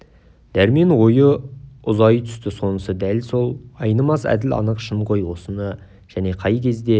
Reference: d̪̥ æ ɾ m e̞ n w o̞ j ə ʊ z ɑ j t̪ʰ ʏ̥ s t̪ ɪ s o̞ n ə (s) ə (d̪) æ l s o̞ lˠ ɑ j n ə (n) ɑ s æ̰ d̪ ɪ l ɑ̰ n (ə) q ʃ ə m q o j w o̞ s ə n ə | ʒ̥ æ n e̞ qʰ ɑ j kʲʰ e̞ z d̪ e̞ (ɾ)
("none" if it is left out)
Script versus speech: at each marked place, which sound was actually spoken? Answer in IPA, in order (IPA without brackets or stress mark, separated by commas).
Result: s, d̪, m, ə, none